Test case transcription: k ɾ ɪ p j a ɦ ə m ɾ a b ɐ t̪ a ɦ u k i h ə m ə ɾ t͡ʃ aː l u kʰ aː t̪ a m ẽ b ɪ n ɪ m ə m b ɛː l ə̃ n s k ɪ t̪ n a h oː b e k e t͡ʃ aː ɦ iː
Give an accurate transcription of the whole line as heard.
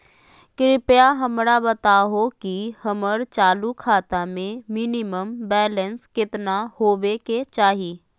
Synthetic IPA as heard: k ɾ ɪ p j a ɦ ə m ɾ a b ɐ t̪ a ɦ o k i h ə m ə ɾ t͡ʃ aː l u kʰ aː t̪ a m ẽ m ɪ n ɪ m ə m b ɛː l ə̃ n s k ɪ t̪ n a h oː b e k e t͡ʃ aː ɦ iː